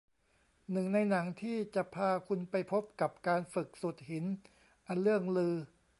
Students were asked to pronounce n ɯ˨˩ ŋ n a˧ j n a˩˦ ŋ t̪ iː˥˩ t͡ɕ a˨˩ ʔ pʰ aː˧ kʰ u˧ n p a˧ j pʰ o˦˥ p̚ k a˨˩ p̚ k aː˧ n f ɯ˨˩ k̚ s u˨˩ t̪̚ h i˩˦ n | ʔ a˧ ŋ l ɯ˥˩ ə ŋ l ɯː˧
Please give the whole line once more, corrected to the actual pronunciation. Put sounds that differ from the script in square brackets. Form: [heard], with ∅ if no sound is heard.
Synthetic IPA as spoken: n ɯ˨˩ ŋ n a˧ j n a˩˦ ŋ [t̪ʰ] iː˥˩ t͡ɕ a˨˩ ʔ pʰ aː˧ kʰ u˧ n p a˧ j pʰ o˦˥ p̚ k a˨˩ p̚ k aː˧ n f ɯ˨˩ k̚ s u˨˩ t̪̚ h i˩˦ n | ʔ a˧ [n] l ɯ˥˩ ə ŋ l ɯː˧